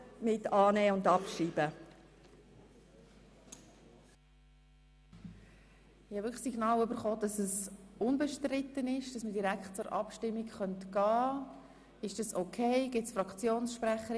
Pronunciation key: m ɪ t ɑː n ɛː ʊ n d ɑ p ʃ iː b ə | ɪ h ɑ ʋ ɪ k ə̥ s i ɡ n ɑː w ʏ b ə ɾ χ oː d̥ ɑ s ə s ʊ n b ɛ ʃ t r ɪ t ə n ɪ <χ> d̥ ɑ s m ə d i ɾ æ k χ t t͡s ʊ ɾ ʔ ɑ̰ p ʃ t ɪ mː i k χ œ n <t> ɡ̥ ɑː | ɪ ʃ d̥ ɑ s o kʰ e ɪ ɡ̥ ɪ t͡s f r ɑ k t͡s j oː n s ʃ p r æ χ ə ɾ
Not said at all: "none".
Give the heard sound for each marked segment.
ʃ, t

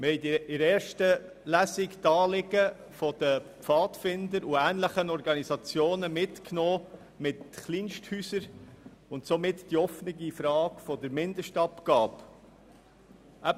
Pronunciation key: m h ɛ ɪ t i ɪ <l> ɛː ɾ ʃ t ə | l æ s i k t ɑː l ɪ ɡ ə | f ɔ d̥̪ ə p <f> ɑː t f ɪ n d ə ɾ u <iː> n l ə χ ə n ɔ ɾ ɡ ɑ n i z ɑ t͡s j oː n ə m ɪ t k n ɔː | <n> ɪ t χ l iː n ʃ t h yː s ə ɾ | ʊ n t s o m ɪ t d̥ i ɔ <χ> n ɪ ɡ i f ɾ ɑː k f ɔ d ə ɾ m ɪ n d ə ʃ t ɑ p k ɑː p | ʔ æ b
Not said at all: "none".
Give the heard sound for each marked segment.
ɾ, f, æː, m, f

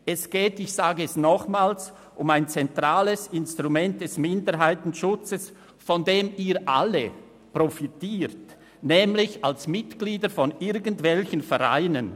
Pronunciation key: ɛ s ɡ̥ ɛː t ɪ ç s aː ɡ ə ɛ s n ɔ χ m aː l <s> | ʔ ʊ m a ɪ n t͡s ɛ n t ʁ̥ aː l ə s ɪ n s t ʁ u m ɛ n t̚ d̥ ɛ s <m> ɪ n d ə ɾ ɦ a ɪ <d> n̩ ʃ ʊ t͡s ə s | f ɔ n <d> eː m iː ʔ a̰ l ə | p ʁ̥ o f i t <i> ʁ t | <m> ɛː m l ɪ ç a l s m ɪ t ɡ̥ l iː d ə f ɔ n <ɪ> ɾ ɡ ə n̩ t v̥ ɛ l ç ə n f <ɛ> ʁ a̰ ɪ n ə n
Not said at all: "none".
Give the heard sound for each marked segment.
s, m, t, d, iː, n, ɪ, ɛ

